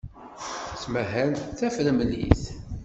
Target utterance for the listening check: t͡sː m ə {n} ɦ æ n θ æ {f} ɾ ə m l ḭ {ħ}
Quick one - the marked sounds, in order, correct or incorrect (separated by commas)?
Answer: incorrect, correct, incorrect